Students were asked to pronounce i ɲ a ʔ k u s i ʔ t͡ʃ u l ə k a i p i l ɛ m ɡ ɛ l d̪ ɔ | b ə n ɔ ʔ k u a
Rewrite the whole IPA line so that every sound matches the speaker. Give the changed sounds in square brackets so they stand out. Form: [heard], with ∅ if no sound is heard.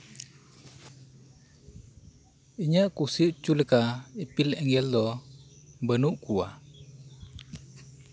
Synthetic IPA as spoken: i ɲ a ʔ k u s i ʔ t͡ʃ u l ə k a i p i l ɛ [ŋ] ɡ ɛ l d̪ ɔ | b ə n [u] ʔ k u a